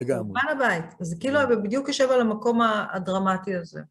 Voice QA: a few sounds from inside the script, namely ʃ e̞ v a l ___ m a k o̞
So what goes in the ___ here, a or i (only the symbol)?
a